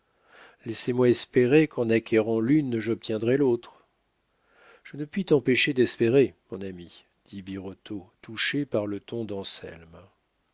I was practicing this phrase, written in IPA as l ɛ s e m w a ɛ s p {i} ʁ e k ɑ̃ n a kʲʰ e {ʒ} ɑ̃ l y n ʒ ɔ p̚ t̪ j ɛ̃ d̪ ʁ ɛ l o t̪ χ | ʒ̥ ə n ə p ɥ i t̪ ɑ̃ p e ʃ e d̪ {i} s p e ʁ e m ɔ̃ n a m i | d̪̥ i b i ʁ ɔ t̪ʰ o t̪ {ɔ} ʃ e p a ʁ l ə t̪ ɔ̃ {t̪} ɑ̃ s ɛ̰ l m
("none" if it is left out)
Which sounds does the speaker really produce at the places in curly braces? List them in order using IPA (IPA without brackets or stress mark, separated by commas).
e, ʁ, ɛ, u, d̪